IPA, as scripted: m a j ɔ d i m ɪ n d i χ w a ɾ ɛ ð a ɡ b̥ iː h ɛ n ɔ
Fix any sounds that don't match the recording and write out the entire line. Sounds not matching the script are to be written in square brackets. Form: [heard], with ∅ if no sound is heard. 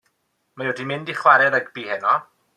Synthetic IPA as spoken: m a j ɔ d i m ɪ n d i χ w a ɾ ɛ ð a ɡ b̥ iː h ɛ n ɔ